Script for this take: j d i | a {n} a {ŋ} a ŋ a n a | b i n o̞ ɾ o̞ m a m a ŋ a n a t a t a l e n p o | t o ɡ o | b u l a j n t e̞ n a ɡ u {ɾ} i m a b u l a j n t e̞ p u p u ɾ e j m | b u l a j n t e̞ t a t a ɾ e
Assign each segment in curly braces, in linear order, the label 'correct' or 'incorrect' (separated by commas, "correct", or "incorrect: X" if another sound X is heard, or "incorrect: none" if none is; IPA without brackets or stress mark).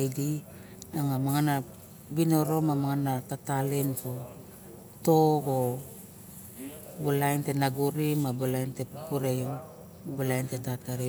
incorrect: ŋ, incorrect: m, correct